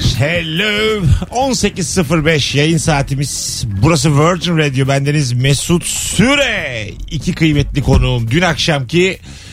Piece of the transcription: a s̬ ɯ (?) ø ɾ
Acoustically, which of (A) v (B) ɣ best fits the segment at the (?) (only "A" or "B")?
A